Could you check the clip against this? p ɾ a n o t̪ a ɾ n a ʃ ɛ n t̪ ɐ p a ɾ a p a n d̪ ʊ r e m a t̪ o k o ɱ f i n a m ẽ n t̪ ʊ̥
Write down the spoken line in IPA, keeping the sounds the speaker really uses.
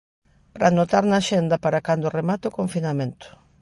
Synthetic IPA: p ɾ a n o t̪ a ɾ n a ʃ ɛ n d̪ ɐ p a ɾ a k a n d̪ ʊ r e m a t̪ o k o ɱ f i n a m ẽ n t̪ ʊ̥